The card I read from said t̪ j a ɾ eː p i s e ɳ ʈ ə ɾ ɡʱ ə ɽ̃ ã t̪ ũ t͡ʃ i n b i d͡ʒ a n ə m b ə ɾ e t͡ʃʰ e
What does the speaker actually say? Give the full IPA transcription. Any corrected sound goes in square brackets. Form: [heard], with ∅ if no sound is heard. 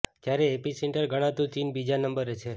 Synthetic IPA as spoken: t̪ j a ɾ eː p i s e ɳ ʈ ə ɾ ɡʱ ə ɽ̃ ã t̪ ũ t͡ʃ i n b i d͡ʒ a n ə m b ə ɾ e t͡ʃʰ e

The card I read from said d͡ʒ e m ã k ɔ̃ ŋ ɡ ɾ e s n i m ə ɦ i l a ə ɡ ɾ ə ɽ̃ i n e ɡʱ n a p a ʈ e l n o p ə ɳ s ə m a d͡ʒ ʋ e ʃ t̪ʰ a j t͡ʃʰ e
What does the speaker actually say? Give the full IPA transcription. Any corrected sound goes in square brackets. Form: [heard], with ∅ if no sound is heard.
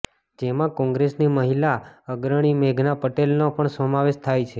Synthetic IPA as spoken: d͡ʒ e m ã k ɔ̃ ŋ ɡ ɾ e s n i m ə ɦ i l a ə ɡ ɾ ə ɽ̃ i [m] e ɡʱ n a p [ə] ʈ e l n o p ə ɳ s ə m a [∅] ʋ e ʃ t̪ʰ a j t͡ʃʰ e

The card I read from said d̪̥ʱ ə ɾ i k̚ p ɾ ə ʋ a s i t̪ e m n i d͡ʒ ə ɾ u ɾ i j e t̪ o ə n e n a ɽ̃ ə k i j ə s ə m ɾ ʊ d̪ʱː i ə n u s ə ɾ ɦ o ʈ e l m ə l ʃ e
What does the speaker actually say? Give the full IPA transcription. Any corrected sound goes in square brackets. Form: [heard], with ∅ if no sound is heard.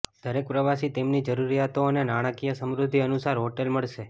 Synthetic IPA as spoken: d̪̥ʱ ə ɾ [e] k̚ p ɾ ə ʋ a s i t̪ e m n i d͡ʒ ə ɾ u ɾ i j [a] t̪ o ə n e n a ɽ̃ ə k i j ə s ə m ɾ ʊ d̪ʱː i ə n u s [a] ɾ ɦ o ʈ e l m ə [ɭ] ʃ e

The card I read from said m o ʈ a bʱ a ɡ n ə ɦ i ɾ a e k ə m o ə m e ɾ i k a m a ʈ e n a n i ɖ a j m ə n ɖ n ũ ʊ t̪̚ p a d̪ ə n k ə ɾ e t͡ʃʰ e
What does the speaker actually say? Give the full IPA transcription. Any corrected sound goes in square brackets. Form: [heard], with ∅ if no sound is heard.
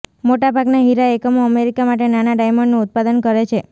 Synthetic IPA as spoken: m o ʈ a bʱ a ɡ n [a] ɦ i ɾ a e k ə m o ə m e ɾ i k a m a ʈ e n a n [a] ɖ a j m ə [ɳ] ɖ n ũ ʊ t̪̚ p a d̪ ə n k ə ɾ e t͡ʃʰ e

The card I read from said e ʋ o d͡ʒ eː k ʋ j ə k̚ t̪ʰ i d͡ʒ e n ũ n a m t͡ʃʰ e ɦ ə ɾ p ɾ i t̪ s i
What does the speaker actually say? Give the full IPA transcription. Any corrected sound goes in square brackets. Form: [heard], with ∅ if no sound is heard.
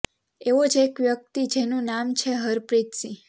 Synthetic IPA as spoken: e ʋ o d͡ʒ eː k ʋ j ə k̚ [t̪] i d͡ʒ e n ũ n a m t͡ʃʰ e ɦ ə ɾ p ɾ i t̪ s i

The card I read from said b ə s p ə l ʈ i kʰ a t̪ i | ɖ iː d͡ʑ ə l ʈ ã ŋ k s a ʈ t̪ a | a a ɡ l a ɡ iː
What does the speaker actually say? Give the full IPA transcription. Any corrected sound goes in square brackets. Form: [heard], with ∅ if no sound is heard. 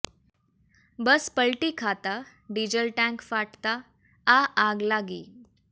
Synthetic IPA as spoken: b ə s p ə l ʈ i kʰ a t̪ [a] | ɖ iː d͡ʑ ə l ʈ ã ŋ k [f] a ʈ t̪ a | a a ɡ l a ɡ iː

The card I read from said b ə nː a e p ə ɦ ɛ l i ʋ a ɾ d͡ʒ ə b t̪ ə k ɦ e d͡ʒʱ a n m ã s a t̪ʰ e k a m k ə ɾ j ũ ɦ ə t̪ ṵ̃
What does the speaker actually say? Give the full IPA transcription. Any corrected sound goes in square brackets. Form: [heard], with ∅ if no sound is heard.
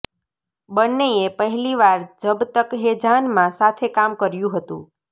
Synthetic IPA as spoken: b ə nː [e] e p ə ɦ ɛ l i ʋ a ɾ d͡ʒ ə b t̪ ə k ɦ e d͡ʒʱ a n m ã s a t̪ʰ e k a m k ə ɾ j ũ ɦ ə t̪ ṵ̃

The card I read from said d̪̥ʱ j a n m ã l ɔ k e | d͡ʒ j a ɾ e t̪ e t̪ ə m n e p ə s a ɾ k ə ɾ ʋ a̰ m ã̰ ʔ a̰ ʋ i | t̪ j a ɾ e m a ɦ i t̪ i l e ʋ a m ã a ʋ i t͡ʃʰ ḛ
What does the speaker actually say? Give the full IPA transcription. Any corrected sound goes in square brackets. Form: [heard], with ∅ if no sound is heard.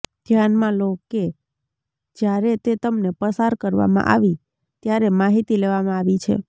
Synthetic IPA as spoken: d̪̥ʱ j a n m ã l [o] k e | d͡ʒ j a ɾ e t̪ e t̪ ə m n e p ə s a ɾ k ə ɾ ʋ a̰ m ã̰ ʔ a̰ ʋ i | t̪ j a ɾ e m a ɦ i t̪ i l e ʋ a m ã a ʋ i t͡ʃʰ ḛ

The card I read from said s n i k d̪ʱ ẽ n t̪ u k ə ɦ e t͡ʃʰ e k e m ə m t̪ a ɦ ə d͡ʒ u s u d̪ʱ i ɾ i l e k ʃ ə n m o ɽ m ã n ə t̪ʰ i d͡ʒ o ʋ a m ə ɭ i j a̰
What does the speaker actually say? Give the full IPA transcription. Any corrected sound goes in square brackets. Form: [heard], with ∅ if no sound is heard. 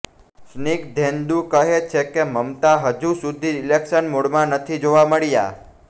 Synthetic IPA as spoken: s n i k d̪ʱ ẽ n [d̪] u k ə ɦ e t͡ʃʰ e k e m ə m t̪ a ɦ ə d͡ʒ u s u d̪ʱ i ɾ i l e k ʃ ə n m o ɽ m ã n ə t̪ʰ i d͡ʒ o ʋ a m ə ɭ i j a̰

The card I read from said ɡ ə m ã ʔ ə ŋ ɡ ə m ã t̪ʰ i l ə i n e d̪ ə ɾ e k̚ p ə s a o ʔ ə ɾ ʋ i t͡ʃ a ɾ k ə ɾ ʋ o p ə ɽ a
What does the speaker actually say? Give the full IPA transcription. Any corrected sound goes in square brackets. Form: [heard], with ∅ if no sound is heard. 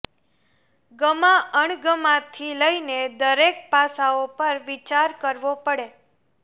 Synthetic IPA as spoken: ɡ ə m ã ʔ ə [ɳ] ɡ ə m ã t̪ʰ i l ə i n e d̪ ə ɾ e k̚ p [a] s a o [p] ə ɾ ʋ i t͡ʃ a ɾ k ə ɾ ʋ o p ə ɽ [e]

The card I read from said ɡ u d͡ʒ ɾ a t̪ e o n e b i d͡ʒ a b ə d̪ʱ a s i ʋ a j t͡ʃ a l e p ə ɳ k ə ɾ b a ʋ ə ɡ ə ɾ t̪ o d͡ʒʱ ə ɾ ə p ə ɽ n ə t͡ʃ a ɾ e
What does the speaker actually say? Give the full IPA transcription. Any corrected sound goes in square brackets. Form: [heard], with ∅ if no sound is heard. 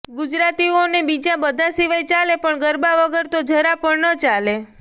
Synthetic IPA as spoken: ɡ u d͡ʒ ɾ a t̪ [i] o n e b i d͡ʒ a b ə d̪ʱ a s i ʋ a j t͡ʃ a l e p ə ɳ [ɡ] ə ɾ b a ʋ ə ɡ ə ɾ t̪ o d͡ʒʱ ə ɾ [a] p ə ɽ n ə t͡ʃ a [l] e

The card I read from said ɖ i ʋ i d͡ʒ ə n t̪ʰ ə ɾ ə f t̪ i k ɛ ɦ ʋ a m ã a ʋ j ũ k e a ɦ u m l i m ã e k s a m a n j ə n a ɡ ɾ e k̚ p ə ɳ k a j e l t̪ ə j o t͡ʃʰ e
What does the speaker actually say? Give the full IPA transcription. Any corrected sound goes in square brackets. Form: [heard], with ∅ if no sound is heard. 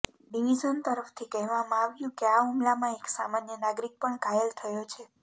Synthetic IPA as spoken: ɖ i ʋ i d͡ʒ ə n [t̪] ə ɾ ə f [t̪ʰ] i k ɛ ɦ ʋ a m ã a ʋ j ũ k e a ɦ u m l [a] m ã e k s a m a n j ə n a ɡ ɾ [i] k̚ p ə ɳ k a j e l [t̪ʰ] ə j o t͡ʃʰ e

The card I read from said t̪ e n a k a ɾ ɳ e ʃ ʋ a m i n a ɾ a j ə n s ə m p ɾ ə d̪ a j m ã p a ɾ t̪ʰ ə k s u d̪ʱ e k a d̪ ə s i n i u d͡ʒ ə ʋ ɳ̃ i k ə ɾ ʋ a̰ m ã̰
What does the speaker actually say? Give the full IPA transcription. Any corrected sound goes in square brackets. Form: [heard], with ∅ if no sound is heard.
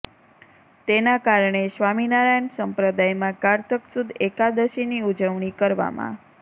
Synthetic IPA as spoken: t̪ e n a k a ɾ ɳ e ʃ ʋ a m i n a ɾ a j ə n s ə m p ɾ ə d̪ a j m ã [k] a ɾ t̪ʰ ə k s u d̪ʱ e k a d̪ ə [ʃ] i n i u d͡ʒ ə ʋ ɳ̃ i k ə ɾ ʋ a̰ m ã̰

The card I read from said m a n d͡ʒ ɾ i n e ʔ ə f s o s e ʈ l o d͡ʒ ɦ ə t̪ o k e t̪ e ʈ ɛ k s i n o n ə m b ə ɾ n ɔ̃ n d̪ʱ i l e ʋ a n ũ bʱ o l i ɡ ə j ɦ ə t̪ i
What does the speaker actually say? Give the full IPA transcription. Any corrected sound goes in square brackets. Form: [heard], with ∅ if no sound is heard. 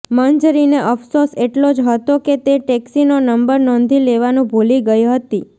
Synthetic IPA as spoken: m [ə] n d͡ʒ ɾ i n e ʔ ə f s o s e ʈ l o d͡ʒ ɦ ə t̪ o k e t̪ e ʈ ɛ k s i n o n ə m b ə ɾ n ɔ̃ n d̪ʱ i l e ʋ a n ũ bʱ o l i ɡ ə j ɦ ə t̪ i

